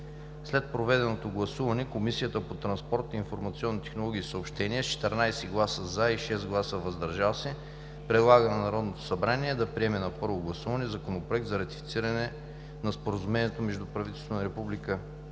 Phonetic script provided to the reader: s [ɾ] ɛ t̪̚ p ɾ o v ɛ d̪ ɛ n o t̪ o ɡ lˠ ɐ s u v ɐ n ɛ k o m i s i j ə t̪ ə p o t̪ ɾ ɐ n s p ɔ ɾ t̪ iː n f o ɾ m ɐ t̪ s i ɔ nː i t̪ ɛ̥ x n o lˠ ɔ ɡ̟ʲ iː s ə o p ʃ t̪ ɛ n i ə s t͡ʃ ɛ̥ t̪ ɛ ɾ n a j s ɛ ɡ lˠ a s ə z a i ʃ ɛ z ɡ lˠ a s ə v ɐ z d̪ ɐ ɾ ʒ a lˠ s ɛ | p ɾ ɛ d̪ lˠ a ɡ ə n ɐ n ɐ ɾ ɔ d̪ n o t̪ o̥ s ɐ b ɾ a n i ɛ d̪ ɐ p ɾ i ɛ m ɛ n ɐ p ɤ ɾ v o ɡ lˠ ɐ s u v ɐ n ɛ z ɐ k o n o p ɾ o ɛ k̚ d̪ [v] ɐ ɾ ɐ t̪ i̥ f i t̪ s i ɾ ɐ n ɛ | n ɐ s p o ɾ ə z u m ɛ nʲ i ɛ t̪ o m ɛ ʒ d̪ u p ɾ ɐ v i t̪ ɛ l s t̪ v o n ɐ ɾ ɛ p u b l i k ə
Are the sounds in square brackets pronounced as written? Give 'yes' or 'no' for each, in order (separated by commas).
no, no